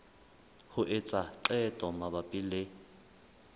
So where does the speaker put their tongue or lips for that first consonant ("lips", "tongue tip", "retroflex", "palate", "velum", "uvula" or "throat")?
throat